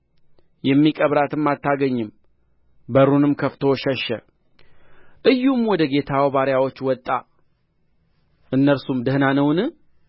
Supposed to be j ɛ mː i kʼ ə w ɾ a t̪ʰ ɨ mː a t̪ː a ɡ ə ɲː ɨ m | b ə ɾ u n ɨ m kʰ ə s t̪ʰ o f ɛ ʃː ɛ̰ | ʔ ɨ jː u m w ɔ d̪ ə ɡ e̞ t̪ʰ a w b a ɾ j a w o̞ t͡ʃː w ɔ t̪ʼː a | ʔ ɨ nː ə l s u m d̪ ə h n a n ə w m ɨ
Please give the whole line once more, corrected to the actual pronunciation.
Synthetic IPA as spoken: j ɛ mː i kʼ ə β ɾ a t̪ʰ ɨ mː a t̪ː a ɡ ə ɲː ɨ m | b ə ɾ u n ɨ m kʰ ə f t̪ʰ o ʃ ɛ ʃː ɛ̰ | ʔ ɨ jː u m w ɔ d̪ ə ɡ e̞ t̪ʰ a w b a ɾ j a w o̞ t͡ʃː w ɔ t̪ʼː a | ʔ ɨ nː ə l s u m d̪ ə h n a n ə w n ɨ